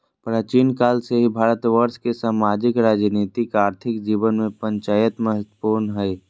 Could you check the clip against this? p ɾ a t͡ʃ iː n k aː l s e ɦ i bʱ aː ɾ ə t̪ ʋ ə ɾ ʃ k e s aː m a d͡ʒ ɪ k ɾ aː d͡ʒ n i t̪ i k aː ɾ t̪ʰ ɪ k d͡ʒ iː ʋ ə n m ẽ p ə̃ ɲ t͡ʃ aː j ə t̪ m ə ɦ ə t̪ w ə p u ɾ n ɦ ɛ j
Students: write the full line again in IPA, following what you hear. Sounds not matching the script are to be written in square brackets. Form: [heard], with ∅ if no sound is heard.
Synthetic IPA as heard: p ɾ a t͡ʃ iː n k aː l s e ɦ i bʱ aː ɾ ə t̪ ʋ ə ɾ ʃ k e s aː m a d͡ʒ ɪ k ɾ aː d͡ʒ n i t̪ i k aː ɾ t̪ʰ ɪ k d͡ʒ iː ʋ ə n m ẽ p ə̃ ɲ t͡ʃ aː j ə t̪ m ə ɦ ə t̪ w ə p u ɾ n ɦ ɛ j

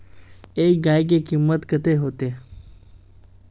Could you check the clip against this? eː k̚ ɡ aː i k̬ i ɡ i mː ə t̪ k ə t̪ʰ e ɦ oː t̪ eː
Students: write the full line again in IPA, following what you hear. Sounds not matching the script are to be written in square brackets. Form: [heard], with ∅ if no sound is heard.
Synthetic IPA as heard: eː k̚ ɡ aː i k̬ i [k] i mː ə t̪ k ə [t̪] e ɦ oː t̪ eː

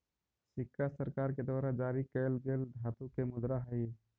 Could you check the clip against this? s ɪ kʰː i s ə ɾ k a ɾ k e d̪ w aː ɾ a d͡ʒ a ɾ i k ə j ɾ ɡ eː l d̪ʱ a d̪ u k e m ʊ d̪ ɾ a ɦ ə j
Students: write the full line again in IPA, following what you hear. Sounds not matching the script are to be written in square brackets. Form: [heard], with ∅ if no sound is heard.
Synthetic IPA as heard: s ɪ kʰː [a] s ə ɾ k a ɾ k e d̪ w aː ɾ a d͡ʒ a ɾ i k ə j [l] ɡ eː l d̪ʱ a [t̪] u k e m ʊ d̪ ɾ a ɦ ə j

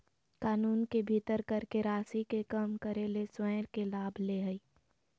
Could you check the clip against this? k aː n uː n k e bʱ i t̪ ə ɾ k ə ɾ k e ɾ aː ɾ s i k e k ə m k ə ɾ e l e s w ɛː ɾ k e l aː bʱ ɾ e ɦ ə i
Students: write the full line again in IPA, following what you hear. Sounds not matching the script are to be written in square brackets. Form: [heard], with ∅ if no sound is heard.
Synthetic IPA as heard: k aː n uː n k e bʱ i t̪ ə ɾ k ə ɾ k e ɾ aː [∅] s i k e k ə m k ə ɾ e l e s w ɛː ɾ k e l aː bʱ [l] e ɦ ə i

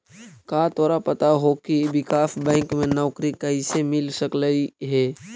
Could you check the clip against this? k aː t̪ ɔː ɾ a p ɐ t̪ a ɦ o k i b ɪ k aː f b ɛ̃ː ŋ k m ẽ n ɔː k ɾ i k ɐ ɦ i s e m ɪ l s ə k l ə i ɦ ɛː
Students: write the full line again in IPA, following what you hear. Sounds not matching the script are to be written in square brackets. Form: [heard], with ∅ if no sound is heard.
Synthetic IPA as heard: k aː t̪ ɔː ɾ a p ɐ t̪ a ɦ o k i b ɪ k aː f b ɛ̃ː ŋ k m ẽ n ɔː k ɾ i k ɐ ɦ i s e m ɪ l s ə k l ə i ɦ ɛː

